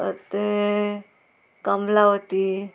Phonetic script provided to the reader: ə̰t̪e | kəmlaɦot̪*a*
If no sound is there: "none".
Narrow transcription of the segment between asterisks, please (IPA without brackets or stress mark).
i